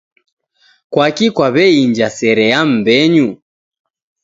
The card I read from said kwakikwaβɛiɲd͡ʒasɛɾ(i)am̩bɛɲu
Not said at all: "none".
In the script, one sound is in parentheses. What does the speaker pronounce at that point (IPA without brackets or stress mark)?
ɛ